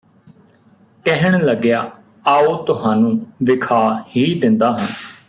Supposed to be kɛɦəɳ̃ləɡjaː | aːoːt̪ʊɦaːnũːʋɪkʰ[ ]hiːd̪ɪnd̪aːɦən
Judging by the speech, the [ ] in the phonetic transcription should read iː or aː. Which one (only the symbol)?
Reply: aː